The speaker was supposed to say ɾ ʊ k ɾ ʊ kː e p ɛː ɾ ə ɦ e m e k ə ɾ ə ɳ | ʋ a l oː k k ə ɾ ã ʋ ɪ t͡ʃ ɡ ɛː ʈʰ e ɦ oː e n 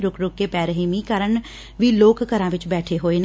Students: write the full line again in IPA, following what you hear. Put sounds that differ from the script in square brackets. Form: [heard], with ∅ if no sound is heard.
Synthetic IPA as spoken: ɾ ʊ k ɾ ʊ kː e p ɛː ɾ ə ɦ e m [i] k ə ɾ ə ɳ | ʋ [i] l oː k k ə ɾ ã ʋ ɪ t͡ʃ [b] ɛː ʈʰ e ɦ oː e n